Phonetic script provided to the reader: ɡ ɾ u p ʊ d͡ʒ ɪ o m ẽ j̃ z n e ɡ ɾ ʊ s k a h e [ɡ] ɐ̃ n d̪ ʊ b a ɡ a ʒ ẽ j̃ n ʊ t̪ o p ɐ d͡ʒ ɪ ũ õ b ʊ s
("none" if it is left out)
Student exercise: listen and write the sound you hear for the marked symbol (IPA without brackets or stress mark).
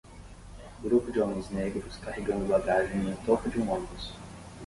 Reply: ɡ